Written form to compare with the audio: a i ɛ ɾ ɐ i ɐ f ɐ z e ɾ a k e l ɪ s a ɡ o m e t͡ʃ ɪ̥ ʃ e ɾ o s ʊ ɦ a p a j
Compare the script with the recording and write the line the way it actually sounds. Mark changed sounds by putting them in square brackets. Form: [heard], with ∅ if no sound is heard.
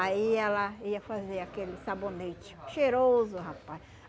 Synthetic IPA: a i ɛ [l] ɐ i ɐ f [a] z e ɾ a k e l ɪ s a [b] o [n] e t͡ʃ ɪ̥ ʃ e ɾ o [z] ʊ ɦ a p a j